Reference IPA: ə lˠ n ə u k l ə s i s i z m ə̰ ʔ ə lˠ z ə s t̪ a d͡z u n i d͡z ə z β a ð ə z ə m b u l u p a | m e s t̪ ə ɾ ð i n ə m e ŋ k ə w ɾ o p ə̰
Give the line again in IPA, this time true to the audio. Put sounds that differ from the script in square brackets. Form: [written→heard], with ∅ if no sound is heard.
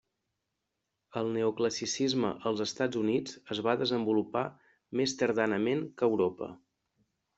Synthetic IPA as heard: ə lˠ n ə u k l ə s i s i z m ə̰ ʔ ə lˠ z ə s t̪ a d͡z u n i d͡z ə z β a ð ə z ə m b u l u p a | m e s t̪ ə ɾ ð [i→a] n ə m e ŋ k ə w ɾ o p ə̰